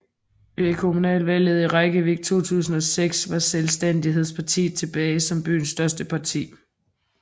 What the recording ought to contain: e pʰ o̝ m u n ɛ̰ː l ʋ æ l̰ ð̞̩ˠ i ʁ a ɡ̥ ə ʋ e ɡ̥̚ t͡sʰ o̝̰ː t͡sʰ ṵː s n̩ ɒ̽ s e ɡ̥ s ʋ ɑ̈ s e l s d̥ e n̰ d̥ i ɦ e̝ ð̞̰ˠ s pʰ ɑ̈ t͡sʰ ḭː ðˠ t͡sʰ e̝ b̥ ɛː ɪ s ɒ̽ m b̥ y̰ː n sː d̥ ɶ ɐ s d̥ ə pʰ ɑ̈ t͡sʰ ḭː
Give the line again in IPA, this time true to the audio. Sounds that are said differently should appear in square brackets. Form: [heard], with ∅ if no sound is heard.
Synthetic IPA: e [kʰ] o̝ m u n ɛ̰ː l ʋ æ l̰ ð̞̩ˠ i ʁ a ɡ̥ ə ʋ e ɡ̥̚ t͡sʰ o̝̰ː t͡sʰ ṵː s n̩ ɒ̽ s e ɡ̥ s ʋ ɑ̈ s e l s d̥ e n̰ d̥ i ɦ e̝ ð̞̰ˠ s pʰ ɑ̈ t͡sʰ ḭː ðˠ t͡sʰ e̝ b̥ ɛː ɪ s ɒ̽ m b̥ y̰ː n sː d̥ ɶ ɐ s d̥ ə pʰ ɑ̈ t͡sʰ ḭː